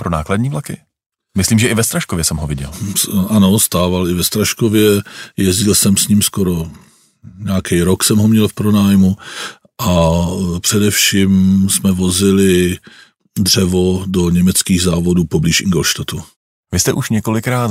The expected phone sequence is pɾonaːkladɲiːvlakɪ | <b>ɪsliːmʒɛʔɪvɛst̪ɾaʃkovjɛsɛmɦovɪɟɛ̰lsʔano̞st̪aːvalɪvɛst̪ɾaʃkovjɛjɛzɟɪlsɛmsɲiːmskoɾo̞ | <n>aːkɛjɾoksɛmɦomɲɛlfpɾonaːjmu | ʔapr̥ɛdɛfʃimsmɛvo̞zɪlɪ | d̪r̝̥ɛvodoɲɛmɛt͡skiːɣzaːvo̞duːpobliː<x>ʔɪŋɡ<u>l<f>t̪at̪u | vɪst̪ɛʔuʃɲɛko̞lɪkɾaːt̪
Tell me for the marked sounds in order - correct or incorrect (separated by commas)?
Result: incorrect, incorrect, incorrect, incorrect, incorrect